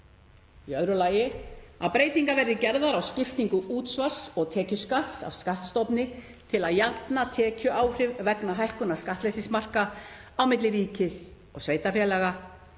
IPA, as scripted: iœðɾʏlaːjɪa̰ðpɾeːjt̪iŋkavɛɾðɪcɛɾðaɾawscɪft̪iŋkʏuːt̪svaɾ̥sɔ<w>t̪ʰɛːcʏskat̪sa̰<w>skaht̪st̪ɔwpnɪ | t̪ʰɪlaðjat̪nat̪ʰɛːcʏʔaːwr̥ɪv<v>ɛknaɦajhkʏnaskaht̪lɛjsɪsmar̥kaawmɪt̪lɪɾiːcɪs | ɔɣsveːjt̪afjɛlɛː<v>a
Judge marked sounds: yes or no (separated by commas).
no, no, yes, no